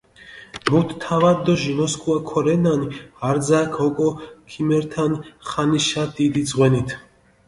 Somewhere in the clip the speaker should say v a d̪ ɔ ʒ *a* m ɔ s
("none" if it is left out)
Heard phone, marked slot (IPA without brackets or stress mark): i